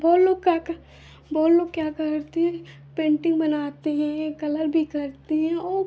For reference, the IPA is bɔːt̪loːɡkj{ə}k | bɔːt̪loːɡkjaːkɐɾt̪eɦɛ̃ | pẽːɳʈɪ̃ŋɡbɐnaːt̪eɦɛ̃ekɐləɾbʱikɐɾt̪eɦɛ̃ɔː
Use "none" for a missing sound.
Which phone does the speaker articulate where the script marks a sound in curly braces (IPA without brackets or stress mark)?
a